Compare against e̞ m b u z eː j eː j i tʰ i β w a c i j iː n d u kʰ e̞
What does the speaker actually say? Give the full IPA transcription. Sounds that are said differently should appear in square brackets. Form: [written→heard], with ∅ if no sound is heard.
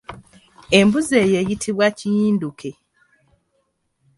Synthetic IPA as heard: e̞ m b u z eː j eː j i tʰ i β w a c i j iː n d u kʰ e̞